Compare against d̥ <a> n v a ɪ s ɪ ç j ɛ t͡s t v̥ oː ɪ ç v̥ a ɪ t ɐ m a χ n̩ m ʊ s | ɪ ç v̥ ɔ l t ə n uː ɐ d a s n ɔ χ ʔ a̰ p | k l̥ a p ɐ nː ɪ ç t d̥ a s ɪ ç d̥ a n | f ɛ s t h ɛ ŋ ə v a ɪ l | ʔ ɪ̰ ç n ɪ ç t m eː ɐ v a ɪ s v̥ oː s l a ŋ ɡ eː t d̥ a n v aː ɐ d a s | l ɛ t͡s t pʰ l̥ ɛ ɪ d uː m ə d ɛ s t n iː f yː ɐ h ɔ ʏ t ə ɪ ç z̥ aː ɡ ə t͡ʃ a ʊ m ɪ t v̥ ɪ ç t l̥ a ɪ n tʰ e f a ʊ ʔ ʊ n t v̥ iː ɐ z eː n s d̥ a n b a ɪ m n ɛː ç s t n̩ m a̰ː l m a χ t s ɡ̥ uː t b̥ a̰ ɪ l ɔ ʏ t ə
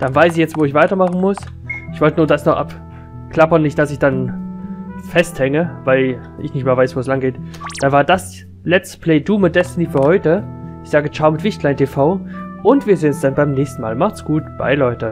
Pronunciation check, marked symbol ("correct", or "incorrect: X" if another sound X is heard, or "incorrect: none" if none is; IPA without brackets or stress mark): correct